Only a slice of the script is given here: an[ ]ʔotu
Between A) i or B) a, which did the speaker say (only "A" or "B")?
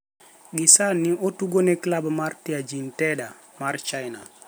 A